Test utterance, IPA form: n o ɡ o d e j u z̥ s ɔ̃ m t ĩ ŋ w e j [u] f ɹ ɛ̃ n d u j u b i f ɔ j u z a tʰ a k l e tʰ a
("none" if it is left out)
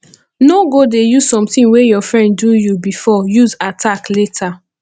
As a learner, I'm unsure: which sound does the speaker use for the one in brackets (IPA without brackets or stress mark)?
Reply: ɔ